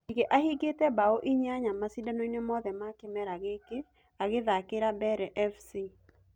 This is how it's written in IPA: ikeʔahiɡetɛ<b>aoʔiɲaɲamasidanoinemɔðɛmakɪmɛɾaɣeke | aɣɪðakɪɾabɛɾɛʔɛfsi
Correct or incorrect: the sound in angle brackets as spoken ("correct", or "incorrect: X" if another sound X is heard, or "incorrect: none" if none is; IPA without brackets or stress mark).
correct